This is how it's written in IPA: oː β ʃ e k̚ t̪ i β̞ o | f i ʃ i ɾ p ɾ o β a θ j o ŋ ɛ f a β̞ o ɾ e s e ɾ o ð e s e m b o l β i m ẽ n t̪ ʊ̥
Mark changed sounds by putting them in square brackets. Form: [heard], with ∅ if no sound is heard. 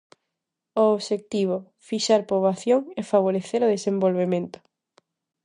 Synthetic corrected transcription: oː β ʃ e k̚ t̪ i β̞ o | f i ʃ [a] ɾ p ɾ o β a θ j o ŋ ɛ f a β̞ o ɾ e [θ] e ɾ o ð e s e m b o l β [e] m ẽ n t̪ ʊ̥